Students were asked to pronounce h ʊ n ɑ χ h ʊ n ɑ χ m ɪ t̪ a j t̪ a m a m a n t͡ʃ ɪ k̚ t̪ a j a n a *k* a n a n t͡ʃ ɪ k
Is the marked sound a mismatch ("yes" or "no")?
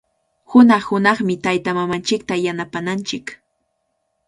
yes